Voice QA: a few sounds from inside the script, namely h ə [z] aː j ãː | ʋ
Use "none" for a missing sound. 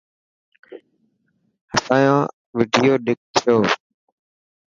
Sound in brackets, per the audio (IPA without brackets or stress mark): s